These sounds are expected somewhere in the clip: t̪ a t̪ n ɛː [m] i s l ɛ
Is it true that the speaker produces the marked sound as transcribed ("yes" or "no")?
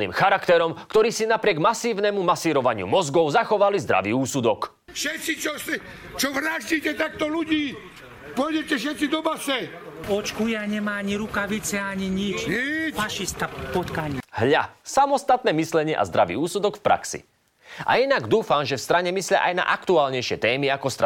yes